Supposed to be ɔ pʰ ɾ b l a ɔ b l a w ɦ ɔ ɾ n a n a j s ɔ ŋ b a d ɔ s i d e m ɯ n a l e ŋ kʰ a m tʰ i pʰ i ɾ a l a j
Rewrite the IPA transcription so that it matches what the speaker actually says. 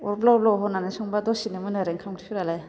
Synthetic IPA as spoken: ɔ ɾ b l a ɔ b l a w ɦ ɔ n a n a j s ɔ ŋ b a d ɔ s i n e m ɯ n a ɾ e ŋ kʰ a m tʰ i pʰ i ɾ a l a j